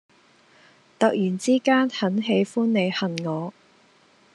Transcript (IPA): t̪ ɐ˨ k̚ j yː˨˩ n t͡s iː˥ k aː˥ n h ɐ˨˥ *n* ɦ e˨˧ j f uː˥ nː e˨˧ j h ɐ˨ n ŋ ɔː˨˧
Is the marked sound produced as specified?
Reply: yes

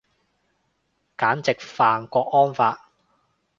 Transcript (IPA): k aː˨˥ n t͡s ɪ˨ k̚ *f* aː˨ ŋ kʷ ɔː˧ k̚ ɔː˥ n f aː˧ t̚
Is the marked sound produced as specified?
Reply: yes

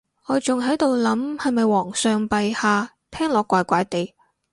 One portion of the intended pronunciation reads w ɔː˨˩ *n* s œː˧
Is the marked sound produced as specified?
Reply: no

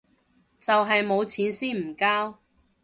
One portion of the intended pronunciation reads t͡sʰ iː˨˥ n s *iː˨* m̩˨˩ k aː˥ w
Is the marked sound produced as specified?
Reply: no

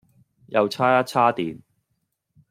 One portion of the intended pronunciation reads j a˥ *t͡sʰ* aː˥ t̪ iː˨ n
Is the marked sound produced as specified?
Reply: yes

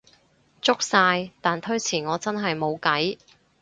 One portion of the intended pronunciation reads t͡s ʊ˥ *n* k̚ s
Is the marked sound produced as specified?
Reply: no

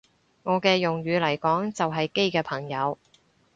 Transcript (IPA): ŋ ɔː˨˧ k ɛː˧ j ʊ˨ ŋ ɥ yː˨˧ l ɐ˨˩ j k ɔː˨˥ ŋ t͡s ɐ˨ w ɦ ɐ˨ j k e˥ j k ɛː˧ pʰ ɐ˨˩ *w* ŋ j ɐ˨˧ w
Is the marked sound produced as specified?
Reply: no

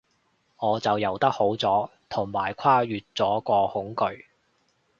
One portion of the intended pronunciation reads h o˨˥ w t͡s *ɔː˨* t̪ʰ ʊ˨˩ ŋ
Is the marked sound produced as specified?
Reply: no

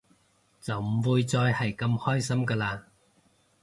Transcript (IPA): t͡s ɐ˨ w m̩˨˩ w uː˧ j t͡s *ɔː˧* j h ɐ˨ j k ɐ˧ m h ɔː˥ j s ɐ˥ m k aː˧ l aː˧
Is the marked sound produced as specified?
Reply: yes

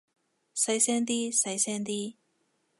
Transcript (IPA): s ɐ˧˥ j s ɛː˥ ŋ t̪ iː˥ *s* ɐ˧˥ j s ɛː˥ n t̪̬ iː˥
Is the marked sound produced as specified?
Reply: yes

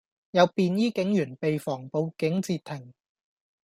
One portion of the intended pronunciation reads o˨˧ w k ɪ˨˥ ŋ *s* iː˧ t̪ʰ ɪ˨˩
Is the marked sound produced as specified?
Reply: no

